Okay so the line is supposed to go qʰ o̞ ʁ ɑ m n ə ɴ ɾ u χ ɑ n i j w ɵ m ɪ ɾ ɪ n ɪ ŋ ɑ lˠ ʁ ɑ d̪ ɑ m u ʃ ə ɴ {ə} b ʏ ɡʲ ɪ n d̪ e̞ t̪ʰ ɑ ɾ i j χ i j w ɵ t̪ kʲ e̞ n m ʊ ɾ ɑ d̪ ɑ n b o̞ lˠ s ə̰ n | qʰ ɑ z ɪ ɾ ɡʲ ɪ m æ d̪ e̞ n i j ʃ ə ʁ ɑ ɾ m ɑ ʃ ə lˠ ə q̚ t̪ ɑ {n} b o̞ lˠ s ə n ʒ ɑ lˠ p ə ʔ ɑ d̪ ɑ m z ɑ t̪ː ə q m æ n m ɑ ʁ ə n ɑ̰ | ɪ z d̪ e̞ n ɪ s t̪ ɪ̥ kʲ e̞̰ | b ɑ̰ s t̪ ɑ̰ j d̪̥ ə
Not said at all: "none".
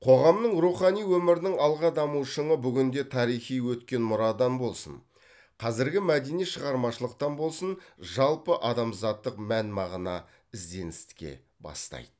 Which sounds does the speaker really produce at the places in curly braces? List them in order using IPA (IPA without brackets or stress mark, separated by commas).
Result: ə, n